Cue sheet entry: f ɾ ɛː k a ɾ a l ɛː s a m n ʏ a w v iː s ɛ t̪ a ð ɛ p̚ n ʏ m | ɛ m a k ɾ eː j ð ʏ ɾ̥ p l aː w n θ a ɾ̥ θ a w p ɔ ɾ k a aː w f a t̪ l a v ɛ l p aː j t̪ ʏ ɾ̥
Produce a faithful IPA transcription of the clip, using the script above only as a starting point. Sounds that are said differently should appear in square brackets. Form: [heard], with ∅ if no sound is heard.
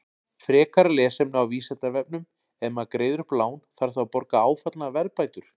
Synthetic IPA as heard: f ɾ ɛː k a ɾ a l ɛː s [ɛ] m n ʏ a w v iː s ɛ t̪ a [v] ɛ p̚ n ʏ m | ɛ m a k ɾ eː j ð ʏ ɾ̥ p l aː w n θ a ɾ̥ θ a w p ɔ ɾ k a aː w f a t̪ l a v ɛ [ɾ] p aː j t̪ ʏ ɾ̥